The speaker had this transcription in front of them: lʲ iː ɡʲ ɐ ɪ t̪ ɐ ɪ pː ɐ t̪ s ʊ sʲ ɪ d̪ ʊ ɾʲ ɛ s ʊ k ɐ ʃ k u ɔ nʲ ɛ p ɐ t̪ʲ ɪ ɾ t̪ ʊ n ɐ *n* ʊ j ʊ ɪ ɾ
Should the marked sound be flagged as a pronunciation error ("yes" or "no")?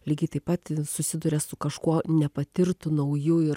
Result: yes